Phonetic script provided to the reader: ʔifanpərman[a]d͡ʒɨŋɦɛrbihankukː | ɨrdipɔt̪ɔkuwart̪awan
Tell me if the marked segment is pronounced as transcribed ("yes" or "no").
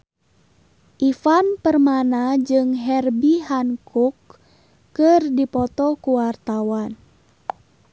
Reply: yes